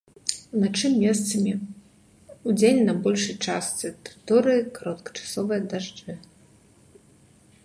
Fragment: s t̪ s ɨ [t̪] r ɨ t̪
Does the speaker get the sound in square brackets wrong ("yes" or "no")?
no